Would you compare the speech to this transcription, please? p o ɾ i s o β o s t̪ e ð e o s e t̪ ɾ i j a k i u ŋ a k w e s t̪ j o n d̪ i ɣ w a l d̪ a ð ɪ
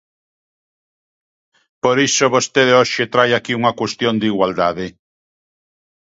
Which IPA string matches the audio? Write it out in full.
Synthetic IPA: p o ɾ i s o β o s t̪ e ð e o ʃ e t̪ ɾ a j a k i u ŋ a k w e s t̪ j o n d̪ i ɣ w a l d̪ a ð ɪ